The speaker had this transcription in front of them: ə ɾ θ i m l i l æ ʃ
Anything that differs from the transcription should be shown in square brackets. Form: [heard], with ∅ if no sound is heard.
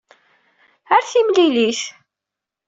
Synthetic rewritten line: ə ɾ θ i m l i l [i] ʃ